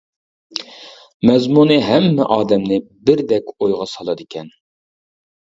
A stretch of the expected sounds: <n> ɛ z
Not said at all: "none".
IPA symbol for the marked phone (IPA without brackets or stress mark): m